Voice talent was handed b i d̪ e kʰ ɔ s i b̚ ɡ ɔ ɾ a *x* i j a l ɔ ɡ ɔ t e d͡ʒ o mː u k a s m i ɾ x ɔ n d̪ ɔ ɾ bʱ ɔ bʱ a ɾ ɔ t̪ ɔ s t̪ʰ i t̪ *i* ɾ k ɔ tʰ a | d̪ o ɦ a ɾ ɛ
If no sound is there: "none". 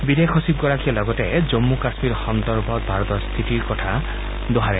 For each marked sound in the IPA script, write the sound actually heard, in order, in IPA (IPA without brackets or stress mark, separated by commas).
k, i